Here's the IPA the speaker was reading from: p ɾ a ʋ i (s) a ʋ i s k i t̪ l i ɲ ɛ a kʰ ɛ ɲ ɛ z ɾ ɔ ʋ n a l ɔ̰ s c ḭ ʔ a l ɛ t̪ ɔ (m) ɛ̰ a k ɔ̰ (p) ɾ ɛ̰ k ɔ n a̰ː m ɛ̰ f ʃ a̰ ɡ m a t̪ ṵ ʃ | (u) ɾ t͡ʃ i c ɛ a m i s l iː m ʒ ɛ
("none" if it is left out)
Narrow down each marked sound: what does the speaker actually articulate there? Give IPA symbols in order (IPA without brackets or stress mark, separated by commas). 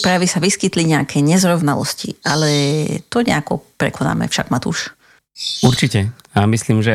s, ɲ, p, u